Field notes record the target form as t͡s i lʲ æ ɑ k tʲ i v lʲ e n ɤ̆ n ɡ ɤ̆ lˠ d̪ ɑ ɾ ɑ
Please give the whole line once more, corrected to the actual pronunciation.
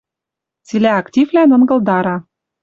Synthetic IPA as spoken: t͡s i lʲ æ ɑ k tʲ i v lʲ æ n ɤ̆ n ɡ ɤ̆ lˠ d̪ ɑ ɾ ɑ

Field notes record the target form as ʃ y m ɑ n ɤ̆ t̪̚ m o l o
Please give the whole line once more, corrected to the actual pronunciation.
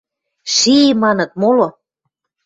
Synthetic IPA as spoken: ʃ i m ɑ n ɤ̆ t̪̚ m o l o

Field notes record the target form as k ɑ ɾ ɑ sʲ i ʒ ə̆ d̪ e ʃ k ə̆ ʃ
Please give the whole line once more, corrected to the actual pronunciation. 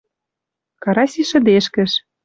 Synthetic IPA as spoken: k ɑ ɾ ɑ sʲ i ʃ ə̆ d̪ e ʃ k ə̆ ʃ

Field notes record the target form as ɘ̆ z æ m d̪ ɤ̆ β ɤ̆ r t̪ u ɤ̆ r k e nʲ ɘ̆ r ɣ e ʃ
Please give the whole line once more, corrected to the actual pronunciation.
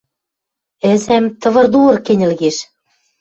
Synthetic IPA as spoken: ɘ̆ z æ m t̪ ɤ̆ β ɤ̆ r d̪ u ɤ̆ r k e nʲ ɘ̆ l ɣ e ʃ

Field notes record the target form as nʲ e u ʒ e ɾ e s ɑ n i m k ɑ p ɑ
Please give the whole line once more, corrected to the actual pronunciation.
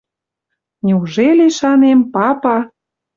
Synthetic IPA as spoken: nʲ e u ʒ e l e ʃ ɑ n e m p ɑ p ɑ

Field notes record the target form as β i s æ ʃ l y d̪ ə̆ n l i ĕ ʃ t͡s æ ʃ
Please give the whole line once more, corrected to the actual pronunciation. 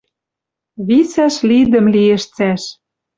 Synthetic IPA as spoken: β i s æ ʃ l i d̪ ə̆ m l i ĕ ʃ t͡s æ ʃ

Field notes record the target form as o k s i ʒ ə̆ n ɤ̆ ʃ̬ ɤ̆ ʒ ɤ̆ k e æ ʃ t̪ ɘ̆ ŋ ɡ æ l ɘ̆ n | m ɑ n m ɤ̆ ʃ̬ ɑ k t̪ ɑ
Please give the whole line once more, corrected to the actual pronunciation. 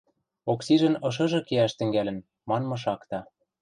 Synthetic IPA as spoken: o k s i ʒ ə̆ n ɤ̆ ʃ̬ ɤ̆ ʒ ɤ̆ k e æ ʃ t̪ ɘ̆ ŋ ɡ æ l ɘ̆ n | m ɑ n m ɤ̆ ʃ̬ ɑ k t̪ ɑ

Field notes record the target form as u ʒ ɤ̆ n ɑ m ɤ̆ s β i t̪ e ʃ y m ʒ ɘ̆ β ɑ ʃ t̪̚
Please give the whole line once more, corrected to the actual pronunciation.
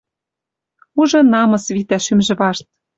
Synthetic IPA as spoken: u ʒ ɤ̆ n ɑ m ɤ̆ s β i t̪ æ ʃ y m ʒ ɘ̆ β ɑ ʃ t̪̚

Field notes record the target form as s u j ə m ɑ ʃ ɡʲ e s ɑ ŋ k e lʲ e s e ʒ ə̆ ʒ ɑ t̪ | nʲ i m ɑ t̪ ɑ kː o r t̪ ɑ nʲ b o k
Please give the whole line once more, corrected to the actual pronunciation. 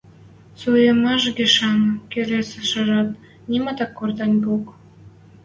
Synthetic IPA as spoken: s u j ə m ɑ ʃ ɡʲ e ʃ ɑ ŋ k e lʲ e s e ʃ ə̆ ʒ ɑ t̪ | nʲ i m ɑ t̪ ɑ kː o r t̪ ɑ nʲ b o k

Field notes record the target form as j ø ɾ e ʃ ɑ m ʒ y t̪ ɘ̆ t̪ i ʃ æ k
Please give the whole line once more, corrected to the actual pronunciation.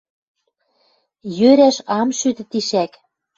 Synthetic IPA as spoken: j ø ɾ æ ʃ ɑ m ʃ y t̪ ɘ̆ t̪ i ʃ æ k

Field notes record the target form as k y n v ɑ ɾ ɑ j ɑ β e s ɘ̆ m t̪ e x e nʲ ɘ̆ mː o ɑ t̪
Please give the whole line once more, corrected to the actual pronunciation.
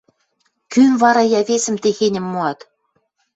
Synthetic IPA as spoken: k y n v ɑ ɾ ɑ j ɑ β e s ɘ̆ m t̪ e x e nʲ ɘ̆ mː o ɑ t̪

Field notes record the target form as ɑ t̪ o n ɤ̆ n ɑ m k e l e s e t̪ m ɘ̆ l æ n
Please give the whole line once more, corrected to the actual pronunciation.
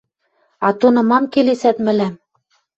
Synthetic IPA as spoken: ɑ t̪ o n ɤ̆ m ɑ m k e l e s æ t̪ m ɘ̆ l æ m

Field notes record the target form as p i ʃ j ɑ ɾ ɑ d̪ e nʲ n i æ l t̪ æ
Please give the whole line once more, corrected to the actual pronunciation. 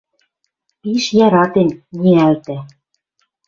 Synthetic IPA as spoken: p i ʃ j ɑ ɾ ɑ t̪ e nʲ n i æ l t̪ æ

